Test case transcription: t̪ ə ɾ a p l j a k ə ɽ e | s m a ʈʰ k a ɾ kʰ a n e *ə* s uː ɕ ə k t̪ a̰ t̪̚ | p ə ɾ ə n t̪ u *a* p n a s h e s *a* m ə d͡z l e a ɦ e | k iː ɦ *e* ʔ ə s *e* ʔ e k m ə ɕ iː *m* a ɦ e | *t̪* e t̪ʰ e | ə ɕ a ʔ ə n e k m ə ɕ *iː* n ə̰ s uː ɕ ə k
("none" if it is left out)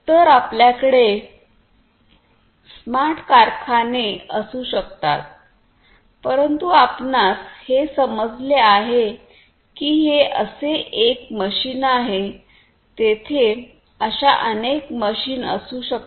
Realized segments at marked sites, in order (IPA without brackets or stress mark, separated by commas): ə, a, ə, e, e, n, t̪, iː